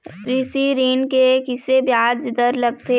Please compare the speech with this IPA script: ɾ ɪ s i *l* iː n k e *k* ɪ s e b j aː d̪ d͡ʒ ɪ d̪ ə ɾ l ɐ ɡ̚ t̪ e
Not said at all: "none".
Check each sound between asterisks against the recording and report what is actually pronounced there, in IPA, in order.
ɾ, k

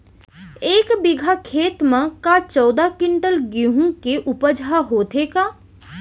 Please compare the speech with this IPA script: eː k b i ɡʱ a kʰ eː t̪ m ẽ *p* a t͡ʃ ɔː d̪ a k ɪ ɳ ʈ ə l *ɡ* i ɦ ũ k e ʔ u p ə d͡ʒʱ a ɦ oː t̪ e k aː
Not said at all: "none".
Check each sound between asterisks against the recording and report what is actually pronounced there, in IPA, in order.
k, ɡ

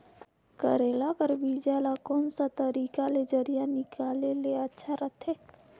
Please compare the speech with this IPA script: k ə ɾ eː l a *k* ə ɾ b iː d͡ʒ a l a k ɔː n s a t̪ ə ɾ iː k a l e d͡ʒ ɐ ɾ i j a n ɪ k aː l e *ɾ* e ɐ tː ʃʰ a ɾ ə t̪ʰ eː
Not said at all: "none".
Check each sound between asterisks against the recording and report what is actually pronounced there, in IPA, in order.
k, l

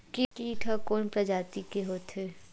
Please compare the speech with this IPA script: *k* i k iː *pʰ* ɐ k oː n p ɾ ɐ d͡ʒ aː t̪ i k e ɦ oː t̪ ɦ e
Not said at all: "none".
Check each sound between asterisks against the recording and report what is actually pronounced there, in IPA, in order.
k, ʈʰ

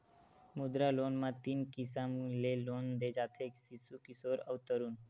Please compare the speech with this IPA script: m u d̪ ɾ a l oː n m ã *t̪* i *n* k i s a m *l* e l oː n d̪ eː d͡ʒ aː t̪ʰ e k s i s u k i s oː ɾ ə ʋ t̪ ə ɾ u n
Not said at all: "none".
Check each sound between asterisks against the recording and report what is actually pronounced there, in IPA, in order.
t̪, n, l

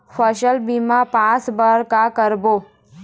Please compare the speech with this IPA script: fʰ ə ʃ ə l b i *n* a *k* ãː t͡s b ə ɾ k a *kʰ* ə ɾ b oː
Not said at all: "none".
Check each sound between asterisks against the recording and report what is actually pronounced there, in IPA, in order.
m, p, k

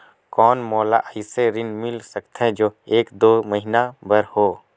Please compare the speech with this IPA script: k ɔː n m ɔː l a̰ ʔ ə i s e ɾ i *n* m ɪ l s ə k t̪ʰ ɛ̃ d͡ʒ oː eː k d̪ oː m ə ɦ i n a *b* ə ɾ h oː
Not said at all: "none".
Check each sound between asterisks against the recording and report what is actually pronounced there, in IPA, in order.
n, b

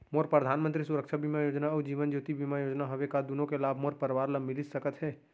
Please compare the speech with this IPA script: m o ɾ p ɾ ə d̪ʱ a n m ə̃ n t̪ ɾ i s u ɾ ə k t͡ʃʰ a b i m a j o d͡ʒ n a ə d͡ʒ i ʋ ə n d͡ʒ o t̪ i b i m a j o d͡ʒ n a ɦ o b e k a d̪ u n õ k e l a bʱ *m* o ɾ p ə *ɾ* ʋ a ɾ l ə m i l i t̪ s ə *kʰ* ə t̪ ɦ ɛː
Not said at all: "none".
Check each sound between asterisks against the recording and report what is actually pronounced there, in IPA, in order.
m, ɾ, k

